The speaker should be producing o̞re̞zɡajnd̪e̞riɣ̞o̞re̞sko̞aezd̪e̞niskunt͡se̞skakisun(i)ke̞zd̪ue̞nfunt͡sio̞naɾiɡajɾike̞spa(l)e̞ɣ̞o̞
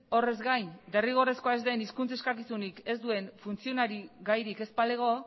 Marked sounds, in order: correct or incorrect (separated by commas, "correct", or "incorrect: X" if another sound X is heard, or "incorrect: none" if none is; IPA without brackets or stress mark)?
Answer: correct, correct